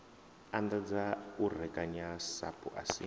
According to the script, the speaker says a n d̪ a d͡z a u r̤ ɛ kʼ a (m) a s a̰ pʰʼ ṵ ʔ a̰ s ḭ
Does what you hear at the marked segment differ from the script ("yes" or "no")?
yes